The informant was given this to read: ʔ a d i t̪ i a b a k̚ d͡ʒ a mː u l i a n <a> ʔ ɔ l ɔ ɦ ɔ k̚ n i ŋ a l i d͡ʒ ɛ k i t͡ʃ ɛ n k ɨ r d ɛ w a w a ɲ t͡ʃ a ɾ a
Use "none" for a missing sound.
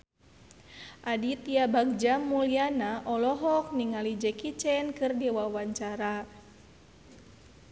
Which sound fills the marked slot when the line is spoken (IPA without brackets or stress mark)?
a